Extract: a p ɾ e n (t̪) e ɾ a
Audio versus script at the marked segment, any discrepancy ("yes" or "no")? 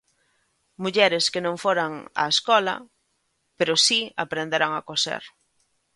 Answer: yes